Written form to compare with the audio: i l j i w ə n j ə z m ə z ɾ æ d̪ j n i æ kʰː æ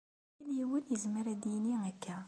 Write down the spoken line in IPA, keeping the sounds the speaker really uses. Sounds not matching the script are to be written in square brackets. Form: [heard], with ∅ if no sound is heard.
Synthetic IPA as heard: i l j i w ə n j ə z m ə [∅] ɾ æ d̪ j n i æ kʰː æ